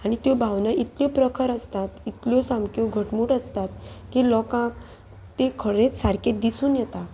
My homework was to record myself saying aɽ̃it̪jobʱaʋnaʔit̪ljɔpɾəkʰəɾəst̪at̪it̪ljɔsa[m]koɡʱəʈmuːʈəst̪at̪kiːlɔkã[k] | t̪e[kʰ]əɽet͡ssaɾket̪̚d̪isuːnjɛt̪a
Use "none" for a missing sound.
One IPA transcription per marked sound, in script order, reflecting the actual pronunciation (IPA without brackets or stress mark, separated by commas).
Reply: m, k, kʰ